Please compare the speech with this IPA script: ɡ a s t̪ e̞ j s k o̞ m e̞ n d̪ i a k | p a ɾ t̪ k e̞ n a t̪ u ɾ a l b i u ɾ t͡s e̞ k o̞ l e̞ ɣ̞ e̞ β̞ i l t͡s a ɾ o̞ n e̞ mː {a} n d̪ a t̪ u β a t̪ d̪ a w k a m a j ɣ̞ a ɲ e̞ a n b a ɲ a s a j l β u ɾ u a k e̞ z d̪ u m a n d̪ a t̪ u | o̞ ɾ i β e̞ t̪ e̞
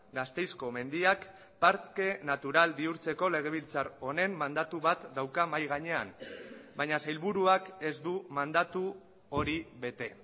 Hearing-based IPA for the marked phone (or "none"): a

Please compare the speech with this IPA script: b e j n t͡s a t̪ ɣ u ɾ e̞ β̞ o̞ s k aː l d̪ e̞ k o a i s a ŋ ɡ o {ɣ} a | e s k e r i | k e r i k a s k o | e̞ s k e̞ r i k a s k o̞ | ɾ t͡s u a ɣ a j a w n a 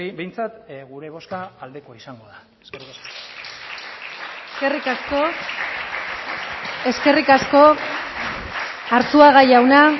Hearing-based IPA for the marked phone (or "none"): ð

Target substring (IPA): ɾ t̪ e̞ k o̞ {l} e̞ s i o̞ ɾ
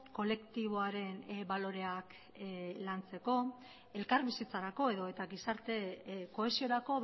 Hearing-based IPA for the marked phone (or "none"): none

